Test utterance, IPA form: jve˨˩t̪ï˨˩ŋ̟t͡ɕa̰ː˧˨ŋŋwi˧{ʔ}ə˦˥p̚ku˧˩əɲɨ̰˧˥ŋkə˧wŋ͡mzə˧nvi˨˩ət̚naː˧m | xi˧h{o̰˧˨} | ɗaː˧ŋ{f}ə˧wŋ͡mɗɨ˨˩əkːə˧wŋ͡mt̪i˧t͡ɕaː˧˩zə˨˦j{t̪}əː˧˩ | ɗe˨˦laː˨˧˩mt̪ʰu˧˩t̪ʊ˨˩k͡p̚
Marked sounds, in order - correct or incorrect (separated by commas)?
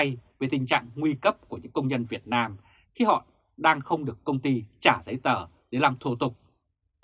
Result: incorrect, incorrect, incorrect, correct